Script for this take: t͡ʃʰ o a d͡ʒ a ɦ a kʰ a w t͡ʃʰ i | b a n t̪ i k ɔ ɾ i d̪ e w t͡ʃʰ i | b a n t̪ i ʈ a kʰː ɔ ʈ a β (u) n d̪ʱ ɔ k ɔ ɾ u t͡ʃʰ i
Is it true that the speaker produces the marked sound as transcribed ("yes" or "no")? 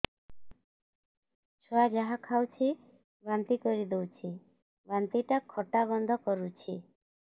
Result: no